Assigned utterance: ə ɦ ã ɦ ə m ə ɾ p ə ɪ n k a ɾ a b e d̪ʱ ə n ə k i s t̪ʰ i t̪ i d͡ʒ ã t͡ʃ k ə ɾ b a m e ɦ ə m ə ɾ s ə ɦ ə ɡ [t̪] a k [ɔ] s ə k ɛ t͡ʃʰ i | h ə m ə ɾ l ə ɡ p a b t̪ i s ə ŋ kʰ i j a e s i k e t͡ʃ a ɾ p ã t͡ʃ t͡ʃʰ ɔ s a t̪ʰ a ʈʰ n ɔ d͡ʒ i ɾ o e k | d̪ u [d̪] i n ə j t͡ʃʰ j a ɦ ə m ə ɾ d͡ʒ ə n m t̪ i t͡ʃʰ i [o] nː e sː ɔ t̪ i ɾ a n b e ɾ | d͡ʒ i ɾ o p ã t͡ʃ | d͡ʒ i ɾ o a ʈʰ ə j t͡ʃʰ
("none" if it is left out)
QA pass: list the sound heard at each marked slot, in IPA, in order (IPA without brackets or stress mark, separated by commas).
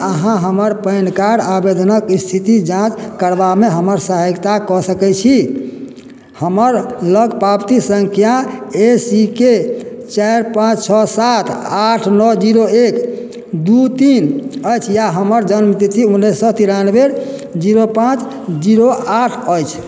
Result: t̪, ɔ, t̪, u